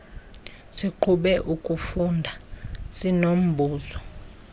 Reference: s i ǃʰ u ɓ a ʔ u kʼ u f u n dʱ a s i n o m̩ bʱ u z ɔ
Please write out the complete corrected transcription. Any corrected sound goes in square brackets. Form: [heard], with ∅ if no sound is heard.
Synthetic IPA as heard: s i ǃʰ u ɓ [ɛ] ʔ u kʼ u f u n dʱ a s i n o m̩ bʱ [uː] z ɔ